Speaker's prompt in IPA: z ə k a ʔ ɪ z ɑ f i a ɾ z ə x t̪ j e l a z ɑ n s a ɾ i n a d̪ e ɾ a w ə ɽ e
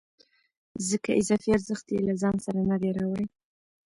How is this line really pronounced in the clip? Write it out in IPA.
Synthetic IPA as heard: z ə k a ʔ ɪ z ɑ f i a ɾ z ə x t̪ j e l a z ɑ n s a ɾ a n a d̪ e ɾ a w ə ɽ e